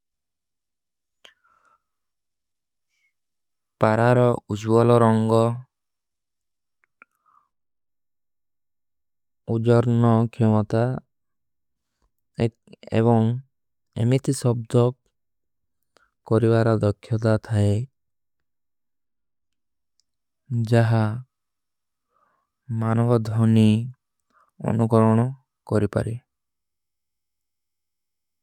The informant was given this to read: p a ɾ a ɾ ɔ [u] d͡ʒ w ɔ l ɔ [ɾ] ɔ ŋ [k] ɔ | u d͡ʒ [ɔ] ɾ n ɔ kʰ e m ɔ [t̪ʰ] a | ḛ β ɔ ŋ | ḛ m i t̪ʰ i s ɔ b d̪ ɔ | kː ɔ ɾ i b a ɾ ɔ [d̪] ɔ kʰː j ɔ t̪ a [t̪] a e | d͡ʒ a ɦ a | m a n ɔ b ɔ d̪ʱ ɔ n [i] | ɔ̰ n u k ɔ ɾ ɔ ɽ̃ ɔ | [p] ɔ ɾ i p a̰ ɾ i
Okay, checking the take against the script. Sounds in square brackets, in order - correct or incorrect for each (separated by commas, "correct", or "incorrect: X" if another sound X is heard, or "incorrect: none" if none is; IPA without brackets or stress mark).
correct, correct, incorrect: ɡ, correct, incorrect: t̪, correct, incorrect: t̪ʰ, correct, incorrect: k